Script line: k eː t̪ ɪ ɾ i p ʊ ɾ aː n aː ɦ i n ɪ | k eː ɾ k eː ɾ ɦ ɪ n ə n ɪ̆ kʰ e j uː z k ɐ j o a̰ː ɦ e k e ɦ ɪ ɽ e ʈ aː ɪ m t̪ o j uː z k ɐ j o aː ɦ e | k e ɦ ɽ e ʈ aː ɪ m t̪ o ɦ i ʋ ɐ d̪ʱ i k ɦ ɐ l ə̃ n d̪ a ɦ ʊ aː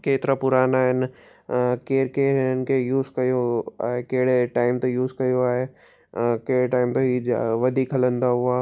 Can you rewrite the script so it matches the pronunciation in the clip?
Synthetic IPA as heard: k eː t̪ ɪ ɾ a p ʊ ɾ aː n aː ɦ ɪ n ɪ | k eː ɾ k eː ɾ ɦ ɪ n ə n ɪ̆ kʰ e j uː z k ɐ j o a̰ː ɦ e k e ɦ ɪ ɽ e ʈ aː ɪ m t̪ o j uː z k ɐ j o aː ɦ e | k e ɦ ɽ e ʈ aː ɪ m t̪ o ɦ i ʋ ɐ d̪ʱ i k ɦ ɐ l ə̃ n d̪ a ɦ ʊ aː